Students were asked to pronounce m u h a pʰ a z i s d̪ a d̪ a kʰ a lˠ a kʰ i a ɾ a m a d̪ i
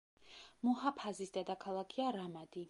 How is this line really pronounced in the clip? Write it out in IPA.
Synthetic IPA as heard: m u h a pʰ a z i s d̪ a d̪ a kʰ a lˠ a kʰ i a ɾ a m a d̪ i